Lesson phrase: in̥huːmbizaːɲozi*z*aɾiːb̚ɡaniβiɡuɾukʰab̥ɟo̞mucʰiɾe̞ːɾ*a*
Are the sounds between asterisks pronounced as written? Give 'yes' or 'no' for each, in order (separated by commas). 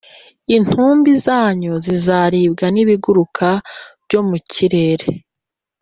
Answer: yes, no